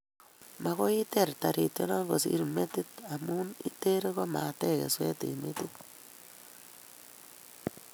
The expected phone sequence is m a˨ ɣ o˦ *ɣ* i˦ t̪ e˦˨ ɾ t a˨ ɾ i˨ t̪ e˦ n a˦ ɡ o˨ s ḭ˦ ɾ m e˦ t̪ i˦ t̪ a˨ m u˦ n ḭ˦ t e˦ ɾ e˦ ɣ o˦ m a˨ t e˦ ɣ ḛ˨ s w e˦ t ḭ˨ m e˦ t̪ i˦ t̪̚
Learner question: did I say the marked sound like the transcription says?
no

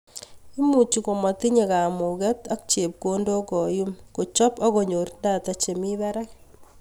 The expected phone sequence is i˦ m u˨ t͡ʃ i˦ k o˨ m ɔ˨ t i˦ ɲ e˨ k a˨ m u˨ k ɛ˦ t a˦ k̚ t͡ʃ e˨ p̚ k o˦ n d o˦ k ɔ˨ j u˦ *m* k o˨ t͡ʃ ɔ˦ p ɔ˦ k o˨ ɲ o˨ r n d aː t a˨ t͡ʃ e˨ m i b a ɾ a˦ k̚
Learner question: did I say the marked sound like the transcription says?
yes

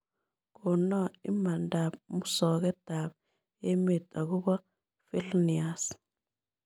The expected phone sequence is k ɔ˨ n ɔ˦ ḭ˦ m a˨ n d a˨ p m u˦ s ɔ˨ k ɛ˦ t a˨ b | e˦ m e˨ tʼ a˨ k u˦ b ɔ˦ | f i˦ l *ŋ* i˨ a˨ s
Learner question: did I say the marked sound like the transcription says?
no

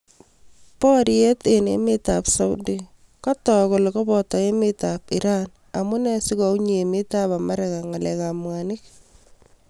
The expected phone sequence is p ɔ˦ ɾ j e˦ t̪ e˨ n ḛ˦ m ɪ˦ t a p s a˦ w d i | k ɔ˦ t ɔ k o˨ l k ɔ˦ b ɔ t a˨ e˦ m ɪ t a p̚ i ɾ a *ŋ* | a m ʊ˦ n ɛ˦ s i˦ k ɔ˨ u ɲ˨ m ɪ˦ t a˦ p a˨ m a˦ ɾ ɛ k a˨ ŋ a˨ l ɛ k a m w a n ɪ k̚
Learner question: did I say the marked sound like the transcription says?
no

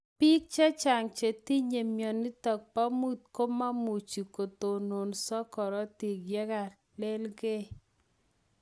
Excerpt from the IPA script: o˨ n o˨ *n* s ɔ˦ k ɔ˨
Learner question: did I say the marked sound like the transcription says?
yes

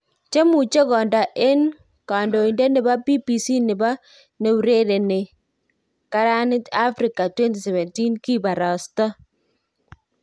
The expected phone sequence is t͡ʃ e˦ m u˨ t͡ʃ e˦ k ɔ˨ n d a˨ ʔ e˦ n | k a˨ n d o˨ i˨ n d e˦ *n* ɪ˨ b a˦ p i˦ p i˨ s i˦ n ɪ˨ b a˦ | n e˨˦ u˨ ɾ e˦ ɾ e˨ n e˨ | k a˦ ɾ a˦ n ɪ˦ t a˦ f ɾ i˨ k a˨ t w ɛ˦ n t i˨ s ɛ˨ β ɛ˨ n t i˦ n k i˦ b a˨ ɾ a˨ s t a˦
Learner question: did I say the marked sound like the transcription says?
yes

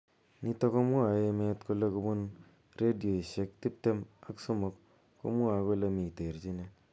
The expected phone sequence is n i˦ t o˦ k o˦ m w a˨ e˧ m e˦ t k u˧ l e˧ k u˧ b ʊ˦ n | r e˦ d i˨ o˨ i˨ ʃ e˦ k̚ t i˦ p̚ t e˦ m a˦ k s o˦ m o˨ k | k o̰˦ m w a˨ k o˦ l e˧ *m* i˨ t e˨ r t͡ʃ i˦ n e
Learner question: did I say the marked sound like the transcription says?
yes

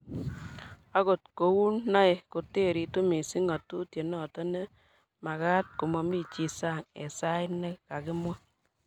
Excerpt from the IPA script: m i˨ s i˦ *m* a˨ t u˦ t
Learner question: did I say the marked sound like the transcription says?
no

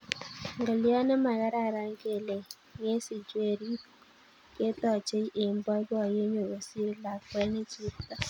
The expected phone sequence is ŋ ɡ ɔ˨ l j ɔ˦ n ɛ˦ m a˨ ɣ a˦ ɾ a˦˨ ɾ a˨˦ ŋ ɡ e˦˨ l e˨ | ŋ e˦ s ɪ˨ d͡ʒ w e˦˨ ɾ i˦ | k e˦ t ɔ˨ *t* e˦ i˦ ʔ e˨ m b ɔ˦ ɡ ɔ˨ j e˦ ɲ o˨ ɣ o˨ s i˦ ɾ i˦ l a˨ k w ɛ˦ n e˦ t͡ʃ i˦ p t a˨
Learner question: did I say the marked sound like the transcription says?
no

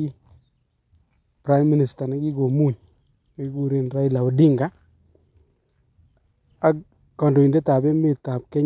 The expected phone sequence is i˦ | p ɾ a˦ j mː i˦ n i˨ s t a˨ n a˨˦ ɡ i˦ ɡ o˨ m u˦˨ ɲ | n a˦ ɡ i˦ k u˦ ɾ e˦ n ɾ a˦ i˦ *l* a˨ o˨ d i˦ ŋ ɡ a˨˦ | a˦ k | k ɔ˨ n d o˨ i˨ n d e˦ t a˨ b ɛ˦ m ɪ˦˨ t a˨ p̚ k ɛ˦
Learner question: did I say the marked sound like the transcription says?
yes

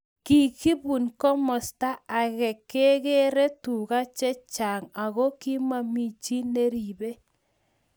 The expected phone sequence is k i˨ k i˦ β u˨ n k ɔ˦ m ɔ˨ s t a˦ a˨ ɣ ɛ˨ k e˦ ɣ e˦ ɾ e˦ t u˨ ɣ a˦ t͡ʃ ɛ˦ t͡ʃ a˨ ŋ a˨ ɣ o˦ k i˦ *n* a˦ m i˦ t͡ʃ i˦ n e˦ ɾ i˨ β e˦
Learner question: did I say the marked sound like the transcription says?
no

